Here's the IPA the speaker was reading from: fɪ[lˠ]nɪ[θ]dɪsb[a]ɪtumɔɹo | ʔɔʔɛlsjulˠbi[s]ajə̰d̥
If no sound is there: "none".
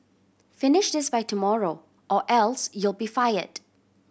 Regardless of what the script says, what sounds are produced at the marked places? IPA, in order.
none, ʃ, a, f

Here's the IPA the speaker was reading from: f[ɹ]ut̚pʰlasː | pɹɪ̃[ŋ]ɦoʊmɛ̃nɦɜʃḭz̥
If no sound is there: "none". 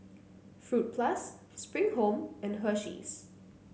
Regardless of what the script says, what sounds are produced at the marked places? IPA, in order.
ɹ, ŋ

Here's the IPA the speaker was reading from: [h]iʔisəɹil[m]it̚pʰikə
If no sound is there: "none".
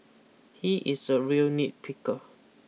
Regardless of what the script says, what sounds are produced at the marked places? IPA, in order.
h, n

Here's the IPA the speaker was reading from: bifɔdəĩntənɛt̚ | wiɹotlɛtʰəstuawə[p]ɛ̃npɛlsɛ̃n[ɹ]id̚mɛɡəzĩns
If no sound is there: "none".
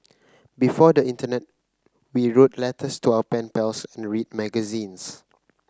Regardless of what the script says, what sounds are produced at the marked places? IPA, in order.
p, ɹ

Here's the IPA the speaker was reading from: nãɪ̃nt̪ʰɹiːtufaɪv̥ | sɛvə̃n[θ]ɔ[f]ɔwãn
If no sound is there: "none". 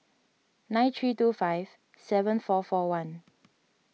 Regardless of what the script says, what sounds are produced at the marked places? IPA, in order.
f, f

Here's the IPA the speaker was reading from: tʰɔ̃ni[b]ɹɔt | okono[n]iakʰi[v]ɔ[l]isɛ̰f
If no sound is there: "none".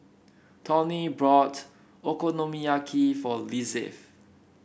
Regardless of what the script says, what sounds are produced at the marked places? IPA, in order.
b, m, f, l

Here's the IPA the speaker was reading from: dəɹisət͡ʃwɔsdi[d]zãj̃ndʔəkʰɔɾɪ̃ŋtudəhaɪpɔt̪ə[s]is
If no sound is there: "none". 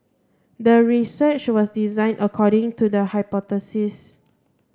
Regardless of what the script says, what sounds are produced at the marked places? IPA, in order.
none, s

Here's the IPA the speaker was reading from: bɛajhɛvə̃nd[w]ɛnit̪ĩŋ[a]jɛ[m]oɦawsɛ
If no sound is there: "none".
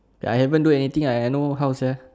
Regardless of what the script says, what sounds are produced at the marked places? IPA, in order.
u, a, n

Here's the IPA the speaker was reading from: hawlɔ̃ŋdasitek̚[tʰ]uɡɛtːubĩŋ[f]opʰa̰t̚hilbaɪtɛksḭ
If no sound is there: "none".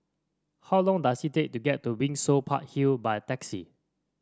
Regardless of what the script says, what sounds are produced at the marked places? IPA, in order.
t, s

